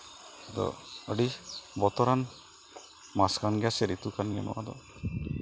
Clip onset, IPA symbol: d̪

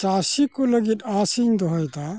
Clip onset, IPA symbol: t͡ʃ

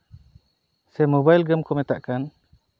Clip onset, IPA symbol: s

